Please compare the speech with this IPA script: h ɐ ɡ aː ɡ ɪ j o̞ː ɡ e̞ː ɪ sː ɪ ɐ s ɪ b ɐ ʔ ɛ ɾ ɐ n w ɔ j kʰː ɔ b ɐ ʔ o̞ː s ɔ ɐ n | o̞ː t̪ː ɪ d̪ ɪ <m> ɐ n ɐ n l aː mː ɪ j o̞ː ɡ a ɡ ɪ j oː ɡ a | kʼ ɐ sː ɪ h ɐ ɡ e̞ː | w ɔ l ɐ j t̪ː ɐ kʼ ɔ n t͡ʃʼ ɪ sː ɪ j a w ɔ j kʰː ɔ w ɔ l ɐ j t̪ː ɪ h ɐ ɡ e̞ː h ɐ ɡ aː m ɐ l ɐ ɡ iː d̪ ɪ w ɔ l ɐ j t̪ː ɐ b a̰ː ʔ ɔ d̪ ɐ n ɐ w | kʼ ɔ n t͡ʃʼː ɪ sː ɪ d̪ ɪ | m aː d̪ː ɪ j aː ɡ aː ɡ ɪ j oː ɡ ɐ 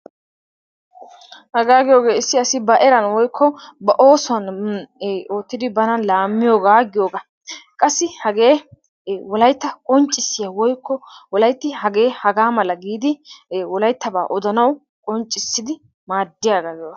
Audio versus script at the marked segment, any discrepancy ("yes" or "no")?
yes